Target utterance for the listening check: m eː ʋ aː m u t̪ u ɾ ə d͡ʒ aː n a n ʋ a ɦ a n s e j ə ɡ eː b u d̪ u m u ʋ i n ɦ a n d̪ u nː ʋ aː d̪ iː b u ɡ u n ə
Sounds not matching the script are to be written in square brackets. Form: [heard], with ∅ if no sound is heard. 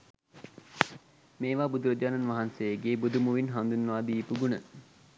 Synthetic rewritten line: m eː ʋ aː [b] u [d̪] u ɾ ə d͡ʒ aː n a n ʋ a ɦ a n s e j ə ɡ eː b u d̪ u m u ʋ i n ɦ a n d̪ u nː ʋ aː d̪ iː [p] u ɡ u n ə

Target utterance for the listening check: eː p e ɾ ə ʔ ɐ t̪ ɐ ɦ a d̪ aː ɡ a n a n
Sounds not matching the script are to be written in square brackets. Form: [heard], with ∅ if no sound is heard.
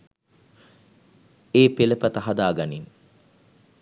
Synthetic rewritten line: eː p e [l] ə [p] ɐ t̪ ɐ ɦ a d̪ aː ɡ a n [i] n

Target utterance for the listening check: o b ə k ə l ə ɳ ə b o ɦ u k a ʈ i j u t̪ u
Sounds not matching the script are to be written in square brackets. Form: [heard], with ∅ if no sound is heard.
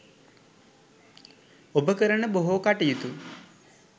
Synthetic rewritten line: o b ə k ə [ɾ] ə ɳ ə b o ɦ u k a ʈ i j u t̪ u

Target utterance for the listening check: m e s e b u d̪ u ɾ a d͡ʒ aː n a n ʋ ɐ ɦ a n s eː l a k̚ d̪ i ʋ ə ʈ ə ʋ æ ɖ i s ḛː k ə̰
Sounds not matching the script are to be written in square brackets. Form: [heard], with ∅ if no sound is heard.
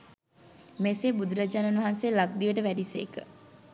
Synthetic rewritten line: m e s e b u d̪ u ɾ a d͡ʒ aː n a n ʋ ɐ ɦ a n s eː l a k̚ d̪ i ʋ ə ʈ ə ʋ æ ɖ i s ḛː k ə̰

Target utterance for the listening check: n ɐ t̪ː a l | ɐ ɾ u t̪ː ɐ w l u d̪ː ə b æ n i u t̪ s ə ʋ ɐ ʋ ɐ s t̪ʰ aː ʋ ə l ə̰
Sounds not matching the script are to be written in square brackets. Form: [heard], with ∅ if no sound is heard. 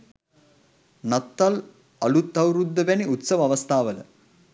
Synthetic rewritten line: n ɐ t̪ː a l | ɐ [l] u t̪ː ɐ w [ɾ] u d̪ː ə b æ n i u t̪ s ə ʋ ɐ ʋ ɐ s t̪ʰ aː ʋ ə l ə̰

